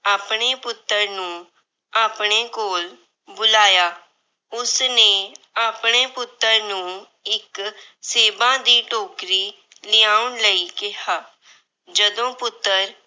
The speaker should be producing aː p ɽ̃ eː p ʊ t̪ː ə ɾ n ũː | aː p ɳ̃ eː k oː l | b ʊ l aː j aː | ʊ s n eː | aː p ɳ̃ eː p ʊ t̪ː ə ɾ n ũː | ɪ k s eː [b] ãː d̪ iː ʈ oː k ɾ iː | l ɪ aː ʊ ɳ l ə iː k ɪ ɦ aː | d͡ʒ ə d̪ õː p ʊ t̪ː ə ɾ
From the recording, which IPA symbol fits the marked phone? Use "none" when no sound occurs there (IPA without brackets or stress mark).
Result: b